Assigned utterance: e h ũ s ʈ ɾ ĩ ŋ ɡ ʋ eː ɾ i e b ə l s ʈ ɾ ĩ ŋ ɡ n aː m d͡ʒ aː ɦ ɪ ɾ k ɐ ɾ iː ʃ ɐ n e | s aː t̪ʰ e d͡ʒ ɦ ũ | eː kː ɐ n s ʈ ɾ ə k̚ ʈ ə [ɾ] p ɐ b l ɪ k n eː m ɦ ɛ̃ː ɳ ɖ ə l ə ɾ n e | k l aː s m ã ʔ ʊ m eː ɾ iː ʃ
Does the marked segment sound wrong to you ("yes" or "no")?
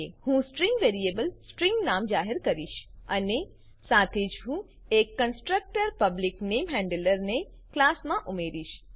no